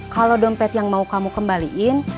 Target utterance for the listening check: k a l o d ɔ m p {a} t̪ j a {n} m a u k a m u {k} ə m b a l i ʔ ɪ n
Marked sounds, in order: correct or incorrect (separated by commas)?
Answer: incorrect, incorrect, correct